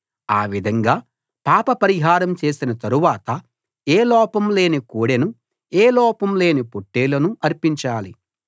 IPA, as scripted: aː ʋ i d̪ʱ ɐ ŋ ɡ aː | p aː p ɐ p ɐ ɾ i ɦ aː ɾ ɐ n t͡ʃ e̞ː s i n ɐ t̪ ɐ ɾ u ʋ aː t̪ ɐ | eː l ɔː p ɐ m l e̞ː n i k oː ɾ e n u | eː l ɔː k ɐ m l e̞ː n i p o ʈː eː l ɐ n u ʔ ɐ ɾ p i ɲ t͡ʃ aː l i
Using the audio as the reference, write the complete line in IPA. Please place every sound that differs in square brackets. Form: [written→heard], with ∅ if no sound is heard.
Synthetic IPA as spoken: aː ʋ i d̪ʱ ɐ ŋ ɡ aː | p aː p ɐ p ɐ ɾ i ɦ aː ɾ ɐ [n→m] t͡ʃ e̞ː s i n ɐ t̪ ɐ ɾ u ʋ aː t̪ ɐ | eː l ɔː p ɐ m l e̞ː n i k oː [ɾ→ɽ] e n u | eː l ɔː [k→p] ɐ m l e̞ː n i p o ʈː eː l ɐ n u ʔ ɐ ɾ p i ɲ t͡ʃ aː l i